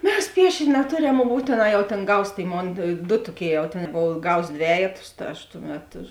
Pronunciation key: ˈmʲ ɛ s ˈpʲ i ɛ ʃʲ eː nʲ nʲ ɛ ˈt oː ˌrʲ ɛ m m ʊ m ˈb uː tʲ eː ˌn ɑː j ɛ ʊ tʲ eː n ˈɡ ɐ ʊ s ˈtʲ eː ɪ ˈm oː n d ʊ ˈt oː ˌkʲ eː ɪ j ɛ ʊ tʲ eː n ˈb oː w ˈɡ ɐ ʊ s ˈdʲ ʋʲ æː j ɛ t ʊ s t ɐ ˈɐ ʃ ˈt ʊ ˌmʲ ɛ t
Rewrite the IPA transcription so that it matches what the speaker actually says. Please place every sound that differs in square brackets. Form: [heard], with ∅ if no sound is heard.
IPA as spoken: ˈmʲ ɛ s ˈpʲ i ɛ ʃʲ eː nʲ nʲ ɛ ˈt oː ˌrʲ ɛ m m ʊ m ˈb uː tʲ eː ˌn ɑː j ɛ ʊ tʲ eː n ˈɡ ɐ ʊ s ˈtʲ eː ɪ ˈm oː n d ʊ ˈt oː ˌkʲ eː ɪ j ɛ ʊ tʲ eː n ˈb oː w ˈɡ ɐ ʊ s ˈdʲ ʋʲ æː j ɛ t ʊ s t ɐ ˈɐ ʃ ˈt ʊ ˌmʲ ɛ t